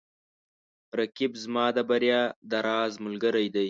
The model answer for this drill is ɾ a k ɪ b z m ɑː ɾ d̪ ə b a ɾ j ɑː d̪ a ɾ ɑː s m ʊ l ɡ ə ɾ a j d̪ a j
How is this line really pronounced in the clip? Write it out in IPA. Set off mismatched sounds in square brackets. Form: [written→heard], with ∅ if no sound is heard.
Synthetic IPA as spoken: ɾ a k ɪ b z m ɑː [ɾ→∅] d̪ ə b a ɾ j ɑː d̪ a ɾ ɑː [s→z] m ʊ l ɡ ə ɾ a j d̪ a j